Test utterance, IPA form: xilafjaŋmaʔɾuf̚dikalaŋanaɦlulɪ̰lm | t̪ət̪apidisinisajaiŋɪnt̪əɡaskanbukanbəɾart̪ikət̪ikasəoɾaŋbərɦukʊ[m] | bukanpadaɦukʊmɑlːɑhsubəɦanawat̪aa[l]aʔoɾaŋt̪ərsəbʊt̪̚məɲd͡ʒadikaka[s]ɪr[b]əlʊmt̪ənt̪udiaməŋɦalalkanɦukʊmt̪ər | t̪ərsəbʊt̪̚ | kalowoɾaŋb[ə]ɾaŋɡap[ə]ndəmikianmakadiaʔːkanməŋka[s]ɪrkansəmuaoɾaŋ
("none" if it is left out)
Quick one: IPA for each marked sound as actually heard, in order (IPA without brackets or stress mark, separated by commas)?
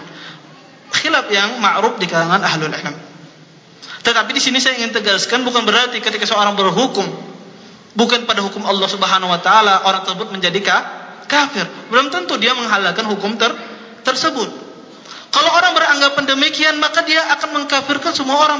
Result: m, l, f, b, ə, a, f